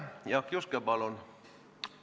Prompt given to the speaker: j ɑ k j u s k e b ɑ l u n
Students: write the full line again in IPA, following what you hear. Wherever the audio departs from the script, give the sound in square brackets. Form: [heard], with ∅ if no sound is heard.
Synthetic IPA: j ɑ k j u s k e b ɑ l [o] n